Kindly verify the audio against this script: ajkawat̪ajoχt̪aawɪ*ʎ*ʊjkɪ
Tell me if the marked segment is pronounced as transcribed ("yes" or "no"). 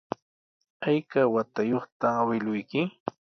no